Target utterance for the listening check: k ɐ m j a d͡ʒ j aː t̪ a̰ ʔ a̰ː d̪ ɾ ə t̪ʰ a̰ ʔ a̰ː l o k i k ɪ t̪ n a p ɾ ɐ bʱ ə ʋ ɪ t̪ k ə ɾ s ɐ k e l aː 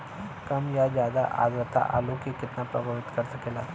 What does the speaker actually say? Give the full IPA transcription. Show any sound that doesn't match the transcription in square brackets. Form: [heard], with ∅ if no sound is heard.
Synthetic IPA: k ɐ m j a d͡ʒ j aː [d̪] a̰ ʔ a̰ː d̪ ɾ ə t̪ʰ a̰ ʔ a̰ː l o k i k ɪ t̪ n a p ɾ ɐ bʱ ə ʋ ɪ t̪ k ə ɾ s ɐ k e l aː

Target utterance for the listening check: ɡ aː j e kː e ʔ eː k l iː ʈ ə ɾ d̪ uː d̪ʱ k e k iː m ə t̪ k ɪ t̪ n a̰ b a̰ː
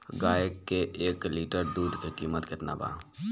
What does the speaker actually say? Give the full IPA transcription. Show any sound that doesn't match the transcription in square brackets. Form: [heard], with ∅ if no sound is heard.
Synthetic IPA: ɡ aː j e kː e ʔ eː k l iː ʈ ə ɾ d̪ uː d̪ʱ k e k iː m ə t̪ k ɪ t̪ n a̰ b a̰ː

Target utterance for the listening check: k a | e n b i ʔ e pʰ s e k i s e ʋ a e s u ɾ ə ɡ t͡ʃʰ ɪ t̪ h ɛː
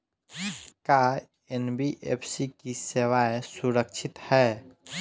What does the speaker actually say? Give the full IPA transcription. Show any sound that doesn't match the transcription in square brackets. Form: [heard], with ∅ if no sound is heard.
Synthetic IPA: k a | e n b i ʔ e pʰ s [i] k i s e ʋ a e s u ɾ ə [k] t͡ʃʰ ɪ t̪ h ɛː

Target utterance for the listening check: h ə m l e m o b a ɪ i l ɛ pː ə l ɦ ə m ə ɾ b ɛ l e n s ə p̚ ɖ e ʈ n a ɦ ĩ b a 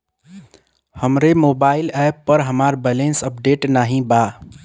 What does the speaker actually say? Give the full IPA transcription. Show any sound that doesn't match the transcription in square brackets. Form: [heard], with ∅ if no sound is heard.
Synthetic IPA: h ə m [ɾ] e m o b a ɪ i l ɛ pː ə [ɾ] ɦ ə m [a] ɾ b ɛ l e n s ə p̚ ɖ e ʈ n a ɦ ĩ b a

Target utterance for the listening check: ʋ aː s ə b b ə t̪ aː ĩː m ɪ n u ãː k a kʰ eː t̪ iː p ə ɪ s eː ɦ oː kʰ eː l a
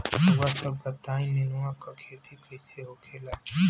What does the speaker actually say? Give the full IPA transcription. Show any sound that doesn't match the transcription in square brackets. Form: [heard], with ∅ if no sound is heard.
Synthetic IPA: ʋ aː s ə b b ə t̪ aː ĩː [n] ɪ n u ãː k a kʰ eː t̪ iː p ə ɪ s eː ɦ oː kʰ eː l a

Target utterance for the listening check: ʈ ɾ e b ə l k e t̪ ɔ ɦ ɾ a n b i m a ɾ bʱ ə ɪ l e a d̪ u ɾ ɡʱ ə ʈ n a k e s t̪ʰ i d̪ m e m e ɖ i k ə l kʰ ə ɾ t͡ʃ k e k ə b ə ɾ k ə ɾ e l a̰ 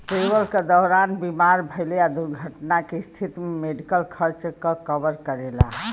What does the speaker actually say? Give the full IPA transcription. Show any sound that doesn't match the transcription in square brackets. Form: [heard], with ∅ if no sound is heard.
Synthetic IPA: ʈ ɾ e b ə l k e [d̪] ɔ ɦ ɾ a n b i m a ɾ bʱ ə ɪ l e a d̪ u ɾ ɡʱ ə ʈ n a k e s t̪ʰ i [t̪] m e m e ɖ i k ə l kʰ ə ɾ t͡ʃ k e k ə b ə ɾ k ə ɾ e l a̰

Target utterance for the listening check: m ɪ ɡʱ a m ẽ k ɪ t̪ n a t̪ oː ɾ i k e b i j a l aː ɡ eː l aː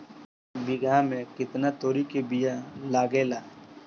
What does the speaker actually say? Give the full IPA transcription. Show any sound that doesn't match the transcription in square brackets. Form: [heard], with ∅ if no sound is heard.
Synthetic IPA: [b] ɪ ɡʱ a m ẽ k ɪ t̪ n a t̪ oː ɾ i k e b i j a l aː ɡ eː l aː

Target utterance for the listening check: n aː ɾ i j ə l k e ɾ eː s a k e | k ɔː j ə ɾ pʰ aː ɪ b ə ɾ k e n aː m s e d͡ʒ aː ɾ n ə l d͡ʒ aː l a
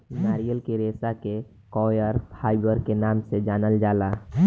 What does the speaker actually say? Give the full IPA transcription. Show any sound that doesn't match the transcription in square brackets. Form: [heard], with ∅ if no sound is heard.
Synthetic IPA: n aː ɾ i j ə l k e ɾ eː s a k e | k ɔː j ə ɾ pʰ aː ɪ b ə ɾ k e n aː m s e d͡ʒ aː [∅] n ə l d͡ʒ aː l a

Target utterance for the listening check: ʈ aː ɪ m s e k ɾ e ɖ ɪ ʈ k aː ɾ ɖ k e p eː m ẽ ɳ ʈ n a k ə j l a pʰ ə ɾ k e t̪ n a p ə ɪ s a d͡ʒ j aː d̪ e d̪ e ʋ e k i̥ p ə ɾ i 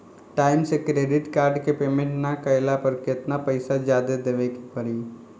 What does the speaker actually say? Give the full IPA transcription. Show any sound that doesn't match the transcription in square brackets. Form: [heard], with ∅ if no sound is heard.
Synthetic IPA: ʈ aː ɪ m s e k ɾ e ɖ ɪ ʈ k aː ɾ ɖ k e p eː m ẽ ɳ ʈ n a k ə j l a [p] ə ɾ k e t̪ n a p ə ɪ s a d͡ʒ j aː d̪ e d̪ e ʋ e k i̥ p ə ɾ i

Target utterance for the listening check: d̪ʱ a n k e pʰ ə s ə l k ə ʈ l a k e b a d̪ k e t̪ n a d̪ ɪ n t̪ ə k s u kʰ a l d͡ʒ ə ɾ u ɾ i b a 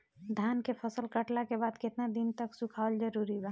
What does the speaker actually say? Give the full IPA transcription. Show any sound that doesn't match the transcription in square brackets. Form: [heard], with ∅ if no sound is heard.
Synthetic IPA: d̪ʱ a n k e pʰ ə s ə l k ə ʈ l a k e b a d̪ k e t̪ n a d̪ [i] n t̪ ə k s u kʰ a l d͡ʒ ə ɾ u ɾ i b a

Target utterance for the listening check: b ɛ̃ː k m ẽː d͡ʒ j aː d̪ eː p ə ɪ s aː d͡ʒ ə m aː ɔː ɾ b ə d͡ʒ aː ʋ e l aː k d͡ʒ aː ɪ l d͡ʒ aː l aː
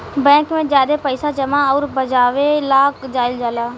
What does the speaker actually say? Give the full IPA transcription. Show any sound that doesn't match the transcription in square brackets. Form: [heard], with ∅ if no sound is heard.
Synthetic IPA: b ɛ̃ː k m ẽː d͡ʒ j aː d̪ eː p ə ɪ s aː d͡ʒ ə m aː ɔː ɾ b ə d͡ʒ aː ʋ e l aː k d͡ʒ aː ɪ l d͡ʒ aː l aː

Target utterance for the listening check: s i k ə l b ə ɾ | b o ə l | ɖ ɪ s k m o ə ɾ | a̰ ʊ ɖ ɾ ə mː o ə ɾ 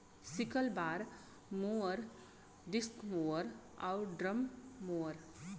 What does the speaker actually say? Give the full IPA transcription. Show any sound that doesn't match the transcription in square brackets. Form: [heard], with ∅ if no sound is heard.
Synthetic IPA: s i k ə l b [a] ɾ | [m] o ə [ɾ] | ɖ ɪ s k m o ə ɾ | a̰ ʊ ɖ ɾ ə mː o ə ɾ

